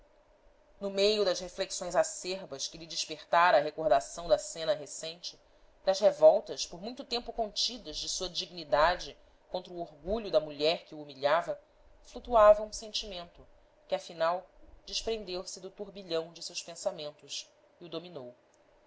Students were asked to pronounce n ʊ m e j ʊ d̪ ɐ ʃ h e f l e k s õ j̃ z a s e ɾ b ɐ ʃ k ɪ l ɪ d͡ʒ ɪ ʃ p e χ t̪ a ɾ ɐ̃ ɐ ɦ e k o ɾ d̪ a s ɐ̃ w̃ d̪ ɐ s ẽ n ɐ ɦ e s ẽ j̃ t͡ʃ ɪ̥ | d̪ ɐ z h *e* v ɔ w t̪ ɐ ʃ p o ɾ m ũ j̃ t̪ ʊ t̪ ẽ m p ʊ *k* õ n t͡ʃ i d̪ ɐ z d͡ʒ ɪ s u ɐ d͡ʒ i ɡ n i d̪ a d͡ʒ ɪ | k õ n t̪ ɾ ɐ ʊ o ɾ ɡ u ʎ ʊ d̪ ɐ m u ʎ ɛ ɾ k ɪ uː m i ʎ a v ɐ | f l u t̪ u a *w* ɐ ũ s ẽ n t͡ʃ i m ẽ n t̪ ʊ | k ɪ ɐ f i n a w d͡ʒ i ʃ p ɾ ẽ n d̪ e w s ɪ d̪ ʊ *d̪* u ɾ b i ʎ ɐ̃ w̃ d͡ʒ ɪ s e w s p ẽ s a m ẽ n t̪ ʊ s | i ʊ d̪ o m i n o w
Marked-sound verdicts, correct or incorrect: correct, correct, incorrect: v, incorrect: t̪

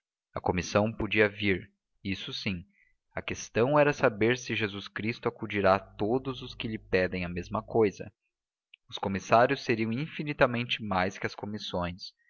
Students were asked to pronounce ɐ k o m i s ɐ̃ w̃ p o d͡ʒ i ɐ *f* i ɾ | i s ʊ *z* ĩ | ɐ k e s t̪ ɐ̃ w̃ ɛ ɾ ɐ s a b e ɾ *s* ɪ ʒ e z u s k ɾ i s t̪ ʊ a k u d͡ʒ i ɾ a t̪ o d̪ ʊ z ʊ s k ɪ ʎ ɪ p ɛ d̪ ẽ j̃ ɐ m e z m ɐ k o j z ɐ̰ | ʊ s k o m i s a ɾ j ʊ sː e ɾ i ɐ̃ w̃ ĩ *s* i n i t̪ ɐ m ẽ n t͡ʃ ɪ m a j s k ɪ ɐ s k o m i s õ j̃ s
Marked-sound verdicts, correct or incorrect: incorrect: v, incorrect: s, correct, incorrect: f

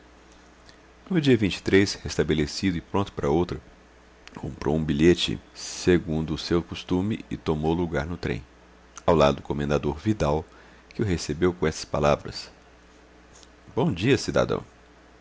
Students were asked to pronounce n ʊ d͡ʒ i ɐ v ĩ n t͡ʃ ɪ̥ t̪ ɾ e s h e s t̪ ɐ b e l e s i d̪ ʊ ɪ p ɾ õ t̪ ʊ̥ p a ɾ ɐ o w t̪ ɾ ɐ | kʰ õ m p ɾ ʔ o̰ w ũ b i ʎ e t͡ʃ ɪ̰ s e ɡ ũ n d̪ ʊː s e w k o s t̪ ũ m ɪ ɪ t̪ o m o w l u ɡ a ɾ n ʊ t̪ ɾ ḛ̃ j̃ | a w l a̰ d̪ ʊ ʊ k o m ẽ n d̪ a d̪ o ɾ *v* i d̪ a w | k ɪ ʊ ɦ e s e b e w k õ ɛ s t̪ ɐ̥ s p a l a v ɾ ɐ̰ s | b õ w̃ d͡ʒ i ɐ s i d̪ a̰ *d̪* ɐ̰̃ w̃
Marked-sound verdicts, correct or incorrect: correct, correct

